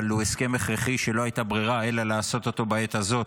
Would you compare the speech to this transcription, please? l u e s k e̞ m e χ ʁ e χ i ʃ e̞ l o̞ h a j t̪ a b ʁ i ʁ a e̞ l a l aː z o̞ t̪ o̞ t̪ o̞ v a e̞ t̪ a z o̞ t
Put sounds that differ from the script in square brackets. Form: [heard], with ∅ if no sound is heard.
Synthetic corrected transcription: l u e s k e̞ m e χ ʁ e χ i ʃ e̞ l o̞ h a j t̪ a b ʁ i ʁ a e̞ l a l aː [s] o̞ t̪ o̞ t̪ o̞ [b] a e̞ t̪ a z o̞ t